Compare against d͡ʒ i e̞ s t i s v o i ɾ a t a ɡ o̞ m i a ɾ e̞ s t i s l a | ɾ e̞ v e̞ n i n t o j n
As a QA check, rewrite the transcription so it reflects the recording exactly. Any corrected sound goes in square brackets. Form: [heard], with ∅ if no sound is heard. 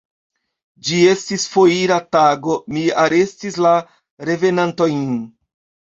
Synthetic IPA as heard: d͡ʒ i e̞ s t i s [f] o i ɾ a t a ɡ o̞ m i a ɾ e̞ s t i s l a | ɾ e̞ v e̞ n [a] n t o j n